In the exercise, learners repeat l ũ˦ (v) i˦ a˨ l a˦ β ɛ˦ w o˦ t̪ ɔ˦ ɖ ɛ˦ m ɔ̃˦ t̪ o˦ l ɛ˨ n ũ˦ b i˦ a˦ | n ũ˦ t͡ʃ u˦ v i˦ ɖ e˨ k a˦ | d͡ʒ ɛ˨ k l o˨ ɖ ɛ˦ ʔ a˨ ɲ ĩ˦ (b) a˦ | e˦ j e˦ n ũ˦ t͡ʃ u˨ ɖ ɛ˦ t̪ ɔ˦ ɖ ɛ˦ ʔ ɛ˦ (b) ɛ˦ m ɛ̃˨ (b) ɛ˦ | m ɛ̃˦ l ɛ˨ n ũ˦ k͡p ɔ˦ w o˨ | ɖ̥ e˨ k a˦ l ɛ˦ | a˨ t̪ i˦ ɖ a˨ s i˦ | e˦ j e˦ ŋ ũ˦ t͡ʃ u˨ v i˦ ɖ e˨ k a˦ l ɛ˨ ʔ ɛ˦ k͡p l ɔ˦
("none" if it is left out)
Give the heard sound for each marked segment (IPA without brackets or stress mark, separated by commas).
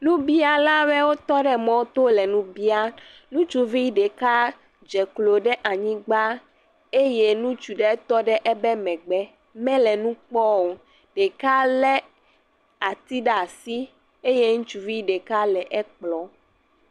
b, ɡ͡b, b, ɡ͡b